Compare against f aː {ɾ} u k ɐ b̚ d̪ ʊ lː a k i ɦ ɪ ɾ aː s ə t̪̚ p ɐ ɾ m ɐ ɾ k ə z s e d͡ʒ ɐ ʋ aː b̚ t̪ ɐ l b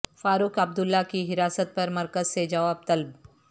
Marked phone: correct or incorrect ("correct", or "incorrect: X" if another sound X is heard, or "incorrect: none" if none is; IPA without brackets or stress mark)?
correct